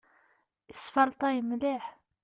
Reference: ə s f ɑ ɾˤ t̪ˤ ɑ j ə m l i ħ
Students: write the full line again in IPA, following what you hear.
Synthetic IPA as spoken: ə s f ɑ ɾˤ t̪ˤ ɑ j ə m l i ħ

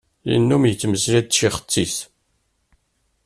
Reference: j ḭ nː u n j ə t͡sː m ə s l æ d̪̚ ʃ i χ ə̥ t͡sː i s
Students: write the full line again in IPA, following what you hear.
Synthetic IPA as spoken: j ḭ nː u m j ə t͡sː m ə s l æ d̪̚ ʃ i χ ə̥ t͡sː i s

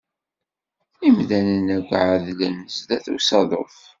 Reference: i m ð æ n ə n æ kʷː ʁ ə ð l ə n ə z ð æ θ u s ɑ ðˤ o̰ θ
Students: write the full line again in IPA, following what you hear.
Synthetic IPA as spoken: i m ð æ n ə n æ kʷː ʕ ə ð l ə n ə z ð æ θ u s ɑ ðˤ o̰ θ

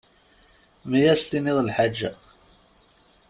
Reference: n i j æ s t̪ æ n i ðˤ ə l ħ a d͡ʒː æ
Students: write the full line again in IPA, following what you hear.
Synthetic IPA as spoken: m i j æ s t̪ i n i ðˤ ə l ħ a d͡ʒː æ

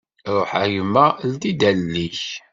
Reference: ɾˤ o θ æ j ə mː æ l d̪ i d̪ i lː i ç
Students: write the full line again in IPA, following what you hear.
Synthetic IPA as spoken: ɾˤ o ħ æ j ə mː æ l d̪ i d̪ æ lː i ç

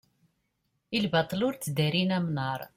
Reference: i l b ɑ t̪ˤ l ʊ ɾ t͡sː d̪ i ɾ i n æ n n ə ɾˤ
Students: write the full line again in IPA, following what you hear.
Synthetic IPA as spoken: i l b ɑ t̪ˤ l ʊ ɾ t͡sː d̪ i ɾ i n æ m n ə ɾˤ

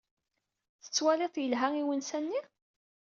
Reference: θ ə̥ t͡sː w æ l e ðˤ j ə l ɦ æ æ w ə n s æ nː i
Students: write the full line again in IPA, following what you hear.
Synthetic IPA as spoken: θ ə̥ t͡sː w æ l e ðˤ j ə l ɦ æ i w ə n s æ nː i

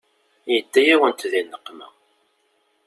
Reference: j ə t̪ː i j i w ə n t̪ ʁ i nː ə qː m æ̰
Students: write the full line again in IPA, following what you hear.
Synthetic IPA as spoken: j ə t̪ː æ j æ w ə n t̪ ð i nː ə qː m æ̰

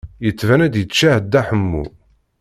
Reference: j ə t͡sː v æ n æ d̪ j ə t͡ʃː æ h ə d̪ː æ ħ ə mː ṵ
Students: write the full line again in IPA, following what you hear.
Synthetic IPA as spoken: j ə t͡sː v æ n æ d̪ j ə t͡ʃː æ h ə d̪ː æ ħ ə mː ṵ

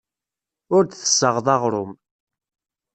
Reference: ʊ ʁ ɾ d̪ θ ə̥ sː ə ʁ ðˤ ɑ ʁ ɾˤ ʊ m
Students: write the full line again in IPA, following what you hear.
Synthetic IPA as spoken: ʊ ɾ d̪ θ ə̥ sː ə ʁ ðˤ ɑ ʁ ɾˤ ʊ m

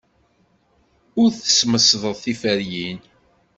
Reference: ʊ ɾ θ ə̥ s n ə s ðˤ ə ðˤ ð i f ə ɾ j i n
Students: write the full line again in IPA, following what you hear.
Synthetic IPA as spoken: ʊ ɾ θ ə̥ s m ə s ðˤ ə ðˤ θ i f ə ɾ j i n

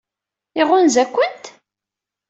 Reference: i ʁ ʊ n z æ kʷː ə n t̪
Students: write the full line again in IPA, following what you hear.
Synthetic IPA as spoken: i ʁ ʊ n z æ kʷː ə n t̪

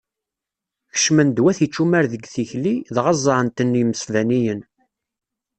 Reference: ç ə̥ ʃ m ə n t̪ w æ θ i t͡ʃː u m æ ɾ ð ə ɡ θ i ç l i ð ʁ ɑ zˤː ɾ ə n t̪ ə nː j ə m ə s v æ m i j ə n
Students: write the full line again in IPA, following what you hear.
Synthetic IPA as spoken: ç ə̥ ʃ m ə n d̪ w æ θ i t͡ʃː u m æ ɾ ð ə ɡ θ i ç l i ð ʁ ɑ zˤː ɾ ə n t̪ ə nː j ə m ə s v æ n i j ə n

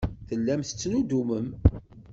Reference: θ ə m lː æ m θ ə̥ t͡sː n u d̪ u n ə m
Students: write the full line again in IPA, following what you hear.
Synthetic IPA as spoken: θ ə lː æ m θ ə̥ t͡sː n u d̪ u m ə m

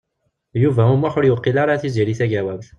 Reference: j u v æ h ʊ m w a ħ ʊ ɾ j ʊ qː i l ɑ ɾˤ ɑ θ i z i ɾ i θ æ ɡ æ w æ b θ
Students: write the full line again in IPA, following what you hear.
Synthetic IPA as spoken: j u v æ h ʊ m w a ħ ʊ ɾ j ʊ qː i l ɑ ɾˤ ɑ θ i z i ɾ i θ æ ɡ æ w æ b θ

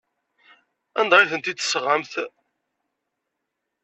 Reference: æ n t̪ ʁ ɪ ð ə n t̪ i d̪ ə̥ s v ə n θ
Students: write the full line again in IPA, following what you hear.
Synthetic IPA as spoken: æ n d̪ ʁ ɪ θ ə n t̪ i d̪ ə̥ s ʁ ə m θ

